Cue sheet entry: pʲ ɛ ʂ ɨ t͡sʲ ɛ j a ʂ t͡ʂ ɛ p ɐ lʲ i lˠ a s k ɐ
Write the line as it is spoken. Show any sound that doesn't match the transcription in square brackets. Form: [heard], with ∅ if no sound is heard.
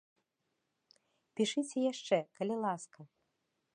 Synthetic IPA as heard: pʲ [i] ʂ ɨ t͡sʲ ɛ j a ʂ t͡ʂ ɛ [k] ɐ lʲ i lˠ a s k ɐ